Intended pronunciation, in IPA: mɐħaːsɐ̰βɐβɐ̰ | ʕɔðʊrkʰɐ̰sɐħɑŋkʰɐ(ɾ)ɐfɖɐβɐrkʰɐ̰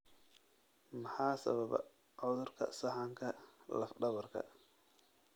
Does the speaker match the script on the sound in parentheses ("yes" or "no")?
no